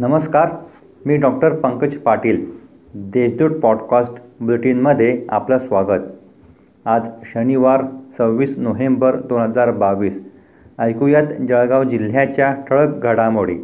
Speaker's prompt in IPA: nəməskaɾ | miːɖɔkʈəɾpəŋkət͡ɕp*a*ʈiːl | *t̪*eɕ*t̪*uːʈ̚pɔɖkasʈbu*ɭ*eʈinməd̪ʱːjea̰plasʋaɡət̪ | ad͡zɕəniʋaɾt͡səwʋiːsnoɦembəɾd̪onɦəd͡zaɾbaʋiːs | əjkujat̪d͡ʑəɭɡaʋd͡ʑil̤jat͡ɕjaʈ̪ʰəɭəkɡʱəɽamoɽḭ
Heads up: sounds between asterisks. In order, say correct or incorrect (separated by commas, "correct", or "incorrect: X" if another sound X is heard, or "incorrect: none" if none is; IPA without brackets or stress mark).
correct, incorrect: d̪, incorrect: d̪, incorrect: l